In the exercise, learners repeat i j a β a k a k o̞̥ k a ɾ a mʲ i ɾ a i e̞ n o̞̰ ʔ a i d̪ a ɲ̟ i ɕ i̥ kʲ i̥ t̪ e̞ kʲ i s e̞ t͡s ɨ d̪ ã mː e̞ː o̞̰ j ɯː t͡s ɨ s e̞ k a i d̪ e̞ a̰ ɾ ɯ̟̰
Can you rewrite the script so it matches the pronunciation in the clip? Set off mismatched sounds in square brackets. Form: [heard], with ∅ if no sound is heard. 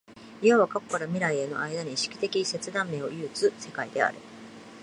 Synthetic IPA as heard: i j a β a k a k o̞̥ k a ɾ a mʲ i ɾ a i e̞ n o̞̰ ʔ a i d̪ a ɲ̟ i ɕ i̥ kʲ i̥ t̪ e̞ kʲ i s e̞ t͡s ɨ d̪ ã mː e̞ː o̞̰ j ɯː t͡s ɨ s e̞ k a i d̪ e̞ a̰ ɾ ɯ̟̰